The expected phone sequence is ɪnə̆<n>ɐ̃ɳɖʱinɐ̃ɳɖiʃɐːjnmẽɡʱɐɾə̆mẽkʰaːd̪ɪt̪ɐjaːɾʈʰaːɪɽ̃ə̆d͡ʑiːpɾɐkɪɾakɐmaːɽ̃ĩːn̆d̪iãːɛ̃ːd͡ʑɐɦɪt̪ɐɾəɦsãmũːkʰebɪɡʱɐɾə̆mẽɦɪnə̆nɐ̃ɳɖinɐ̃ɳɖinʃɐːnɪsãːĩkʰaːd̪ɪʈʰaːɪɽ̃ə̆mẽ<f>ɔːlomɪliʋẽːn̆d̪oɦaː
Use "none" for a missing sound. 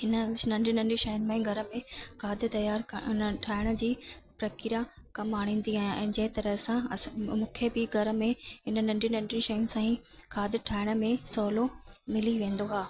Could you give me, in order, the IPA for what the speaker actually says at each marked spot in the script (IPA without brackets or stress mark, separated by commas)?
n, s